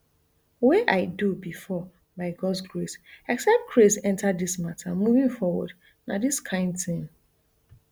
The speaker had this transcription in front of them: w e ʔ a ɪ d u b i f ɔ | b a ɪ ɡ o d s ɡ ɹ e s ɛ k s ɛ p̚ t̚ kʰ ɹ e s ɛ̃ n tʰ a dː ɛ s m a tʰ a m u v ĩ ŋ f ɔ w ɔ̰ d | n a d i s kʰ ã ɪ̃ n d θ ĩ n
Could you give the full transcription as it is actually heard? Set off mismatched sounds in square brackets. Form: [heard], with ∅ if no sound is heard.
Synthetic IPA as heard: w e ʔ a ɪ d u b i f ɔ | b a ɪ ɡ [ɔ] d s ɡ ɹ e s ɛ k s ɛ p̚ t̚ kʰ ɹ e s ɛ̃ n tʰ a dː [i] s m a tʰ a m u v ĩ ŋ f ɔ w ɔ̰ d | n a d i s kʰ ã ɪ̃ n d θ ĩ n